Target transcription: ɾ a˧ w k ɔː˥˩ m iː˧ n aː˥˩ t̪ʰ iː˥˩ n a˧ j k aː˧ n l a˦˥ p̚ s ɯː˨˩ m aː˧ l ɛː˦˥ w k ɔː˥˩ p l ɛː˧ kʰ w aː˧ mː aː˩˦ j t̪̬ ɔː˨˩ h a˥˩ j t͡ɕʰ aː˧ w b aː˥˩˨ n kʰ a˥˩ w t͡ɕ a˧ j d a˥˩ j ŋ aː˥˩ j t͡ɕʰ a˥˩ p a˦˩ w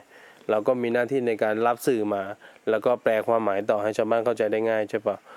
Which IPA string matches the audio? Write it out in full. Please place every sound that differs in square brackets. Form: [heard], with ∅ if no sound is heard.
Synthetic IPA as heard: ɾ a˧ w k ɔː˥˩ m iː˧ n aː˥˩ t̪ʰ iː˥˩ n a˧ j k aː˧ n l a˦˥ p̚ s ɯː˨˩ m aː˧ l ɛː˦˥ w k ɔː˥˩ p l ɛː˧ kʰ w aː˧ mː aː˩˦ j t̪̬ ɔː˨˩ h a˥˩ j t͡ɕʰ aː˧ w b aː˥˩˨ n kʰ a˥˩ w t͡ɕ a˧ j d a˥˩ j ŋ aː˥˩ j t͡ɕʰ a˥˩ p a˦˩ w